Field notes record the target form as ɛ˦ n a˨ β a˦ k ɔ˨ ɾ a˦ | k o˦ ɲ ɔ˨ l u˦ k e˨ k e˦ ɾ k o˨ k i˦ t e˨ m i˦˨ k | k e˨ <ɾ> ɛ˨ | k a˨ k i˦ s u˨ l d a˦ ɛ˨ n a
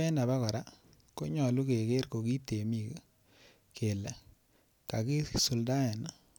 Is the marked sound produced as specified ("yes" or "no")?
no